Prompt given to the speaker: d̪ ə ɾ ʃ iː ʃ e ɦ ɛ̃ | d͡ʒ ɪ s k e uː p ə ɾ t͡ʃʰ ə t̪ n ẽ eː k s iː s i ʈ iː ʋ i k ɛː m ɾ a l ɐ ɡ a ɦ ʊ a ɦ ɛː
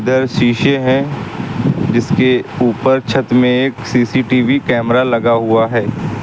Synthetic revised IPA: d̪ ə ɾ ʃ iː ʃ e ɦ ɛ̃ | d͡ʒ ɪ s k e uː p ə ɾ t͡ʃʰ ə t̪ m ẽ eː k s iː s i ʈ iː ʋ i k ɛː m ɾ a l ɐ ɡ a ɦ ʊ a ɦ ɛː